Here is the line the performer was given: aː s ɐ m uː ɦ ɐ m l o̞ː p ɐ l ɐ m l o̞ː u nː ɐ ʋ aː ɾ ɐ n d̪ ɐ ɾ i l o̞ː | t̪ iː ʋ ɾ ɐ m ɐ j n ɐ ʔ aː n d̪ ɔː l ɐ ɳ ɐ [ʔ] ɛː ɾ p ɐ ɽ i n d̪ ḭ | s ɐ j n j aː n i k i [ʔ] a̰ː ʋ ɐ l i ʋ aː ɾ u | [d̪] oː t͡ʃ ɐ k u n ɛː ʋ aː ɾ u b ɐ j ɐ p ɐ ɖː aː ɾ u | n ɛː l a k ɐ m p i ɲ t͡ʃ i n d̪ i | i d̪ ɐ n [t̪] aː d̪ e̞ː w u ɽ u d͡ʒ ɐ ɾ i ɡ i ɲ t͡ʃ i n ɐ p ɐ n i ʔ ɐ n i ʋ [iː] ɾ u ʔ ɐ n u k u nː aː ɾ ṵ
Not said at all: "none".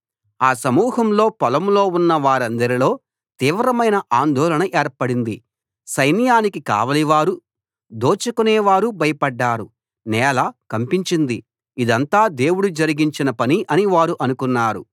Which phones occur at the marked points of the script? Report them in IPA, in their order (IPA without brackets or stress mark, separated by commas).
ʔ, k, d̪, t̪, aː